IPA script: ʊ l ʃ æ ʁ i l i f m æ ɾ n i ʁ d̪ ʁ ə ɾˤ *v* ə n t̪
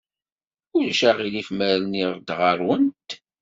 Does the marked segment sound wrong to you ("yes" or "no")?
yes